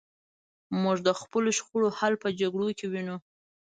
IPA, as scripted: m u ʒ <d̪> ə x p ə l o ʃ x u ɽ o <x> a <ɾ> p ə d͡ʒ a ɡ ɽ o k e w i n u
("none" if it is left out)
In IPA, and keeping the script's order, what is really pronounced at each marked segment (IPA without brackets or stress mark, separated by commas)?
d̪, h, l